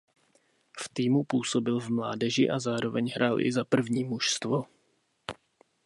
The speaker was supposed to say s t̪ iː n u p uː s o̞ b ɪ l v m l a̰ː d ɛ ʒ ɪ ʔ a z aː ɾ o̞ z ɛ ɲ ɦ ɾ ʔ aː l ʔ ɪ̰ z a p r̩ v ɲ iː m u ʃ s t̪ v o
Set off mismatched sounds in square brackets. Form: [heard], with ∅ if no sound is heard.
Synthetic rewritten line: [f] t̪ iː [m] u p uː s o̞ b ɪ l v m l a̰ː d ɛ ʒ ɪ ʔ a z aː ɾ o̞ [v] ɛ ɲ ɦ ɾ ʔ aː l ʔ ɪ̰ z a p r̩ v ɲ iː m u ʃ s t̪ v o

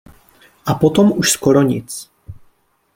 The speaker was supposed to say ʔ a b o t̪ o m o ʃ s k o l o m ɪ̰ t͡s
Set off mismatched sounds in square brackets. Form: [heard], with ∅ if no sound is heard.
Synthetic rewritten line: ʔ a [p] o t̪ o m [u] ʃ s k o [ɾ] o [ɲ] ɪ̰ t͡s

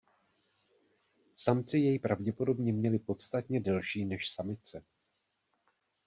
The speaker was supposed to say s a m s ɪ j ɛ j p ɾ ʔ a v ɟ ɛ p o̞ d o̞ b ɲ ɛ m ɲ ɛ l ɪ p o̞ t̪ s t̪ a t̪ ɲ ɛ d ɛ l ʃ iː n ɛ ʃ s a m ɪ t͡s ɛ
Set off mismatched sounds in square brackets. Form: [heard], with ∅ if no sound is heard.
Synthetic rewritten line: s a m [t͡s] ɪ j ɛ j p ɾ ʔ a v ɟ ɛ p o̞ d o̞ b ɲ ɛ m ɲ ɛ l ɪ p o̞ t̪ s t̪ a t̪ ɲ ɛ d ɛ l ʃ iː n ɛ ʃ s a m ɪ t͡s ɛ

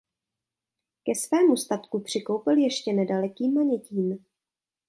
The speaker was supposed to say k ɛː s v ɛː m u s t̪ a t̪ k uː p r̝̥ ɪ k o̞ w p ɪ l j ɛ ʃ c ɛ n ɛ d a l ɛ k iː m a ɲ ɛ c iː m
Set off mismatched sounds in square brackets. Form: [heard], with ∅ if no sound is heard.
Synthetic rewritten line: k [ɛ] s v ɛː m u s t̪ a t̪ k [u] p r̝̥ ɪ k o̞ w p ɪ l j ɛ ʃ c ɛ n ɛ d a l ɛ k iː m a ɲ ɛ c iː m

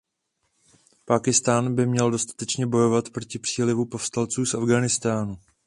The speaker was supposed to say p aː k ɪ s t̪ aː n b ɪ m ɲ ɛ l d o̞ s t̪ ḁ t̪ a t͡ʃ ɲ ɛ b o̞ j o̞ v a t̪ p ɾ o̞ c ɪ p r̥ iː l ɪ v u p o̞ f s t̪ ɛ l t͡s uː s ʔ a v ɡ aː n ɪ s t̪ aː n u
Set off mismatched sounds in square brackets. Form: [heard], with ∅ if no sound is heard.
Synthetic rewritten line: p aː k ɪ s t̪ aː n b ɪ m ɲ ɛ l d o̞ s t̪ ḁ t̪ [ɛ] t͡ʃ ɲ ɛ b o̞ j o̞ v a t̪ p ɾ o̞ c ɪ p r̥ iː l ɪ v u p o̞ f s t̪ [a] l t͡s uː s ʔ a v ɡ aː n ɪ s t̪ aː n u

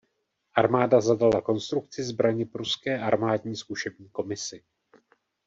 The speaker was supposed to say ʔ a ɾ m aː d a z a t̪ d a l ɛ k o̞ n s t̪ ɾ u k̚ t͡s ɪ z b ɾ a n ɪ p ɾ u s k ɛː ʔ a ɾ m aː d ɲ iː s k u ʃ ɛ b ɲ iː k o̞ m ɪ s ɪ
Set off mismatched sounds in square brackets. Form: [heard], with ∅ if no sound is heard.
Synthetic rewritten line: ʔ a ɾ m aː d a z a [∅] d a l [a] k o̞ n s t̪ ɾ u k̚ t͡s ɪ z b ɾ a [ɲ] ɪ p ɾ u s k ɛː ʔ a ɾ m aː d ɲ iː s k u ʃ ɛ b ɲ iː k o̞ m ɪ s ɪ

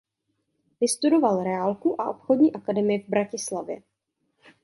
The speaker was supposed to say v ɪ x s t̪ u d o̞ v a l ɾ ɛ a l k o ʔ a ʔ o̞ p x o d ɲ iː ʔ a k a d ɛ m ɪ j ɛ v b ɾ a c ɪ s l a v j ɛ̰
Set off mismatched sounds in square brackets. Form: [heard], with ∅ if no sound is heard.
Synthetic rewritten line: v ɪ [∅] s t̪ u d o̞ v a l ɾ ɛ a l k [u] ʔ a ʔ o̞ p x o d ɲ iː ʔ a k a d ɛ m ɪ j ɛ v b ɾ a c ɪ s l a v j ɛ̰

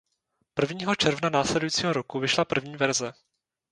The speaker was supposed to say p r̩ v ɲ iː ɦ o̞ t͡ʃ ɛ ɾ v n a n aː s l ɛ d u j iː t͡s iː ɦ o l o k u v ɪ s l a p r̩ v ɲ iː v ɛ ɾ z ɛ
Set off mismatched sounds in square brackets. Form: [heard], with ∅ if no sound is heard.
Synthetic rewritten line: p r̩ v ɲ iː ɦ o̞ t͡ʃ ɛ ɾ v n a n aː s l ɛ d u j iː t͡s iː ɦ o [ɾ] o k u v ɪ [ʃ] l a p r̩ v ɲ iː v ɛ ɾ z ɛ

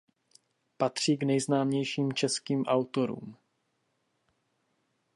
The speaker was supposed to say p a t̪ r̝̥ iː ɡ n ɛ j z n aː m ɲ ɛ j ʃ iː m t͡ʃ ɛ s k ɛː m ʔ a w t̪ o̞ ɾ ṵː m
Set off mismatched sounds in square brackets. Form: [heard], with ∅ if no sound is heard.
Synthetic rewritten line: p a t̪ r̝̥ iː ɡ n ɛ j z n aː m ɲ ɛ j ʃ iː m t͡ʃ ɛ s k [iː] m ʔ a w t̪ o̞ ɾ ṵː m

